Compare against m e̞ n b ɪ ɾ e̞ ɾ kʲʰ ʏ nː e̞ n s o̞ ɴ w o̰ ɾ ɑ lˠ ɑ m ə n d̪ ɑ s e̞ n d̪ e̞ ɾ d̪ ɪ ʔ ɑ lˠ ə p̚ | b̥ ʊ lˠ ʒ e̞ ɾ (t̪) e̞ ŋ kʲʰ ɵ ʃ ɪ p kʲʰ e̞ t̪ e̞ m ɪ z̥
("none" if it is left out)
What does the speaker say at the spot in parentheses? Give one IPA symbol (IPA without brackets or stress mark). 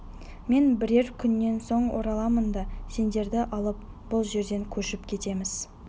d̪